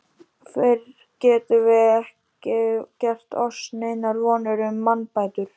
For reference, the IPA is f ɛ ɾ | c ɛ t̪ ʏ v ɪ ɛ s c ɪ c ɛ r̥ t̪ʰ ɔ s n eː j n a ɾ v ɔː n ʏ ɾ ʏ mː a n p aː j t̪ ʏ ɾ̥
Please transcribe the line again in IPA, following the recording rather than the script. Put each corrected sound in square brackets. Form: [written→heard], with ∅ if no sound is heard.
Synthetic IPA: f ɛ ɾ | c [ɛ→ɛː] t̪ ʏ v ɪ ɛ [s→h] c ɪ c ɛ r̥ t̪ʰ ɔ s n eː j n a ɾ v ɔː n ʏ ɾ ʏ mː a n p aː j t̪ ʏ ɾ̥